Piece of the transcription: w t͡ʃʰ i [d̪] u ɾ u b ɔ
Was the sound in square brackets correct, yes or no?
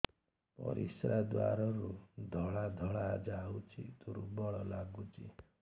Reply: no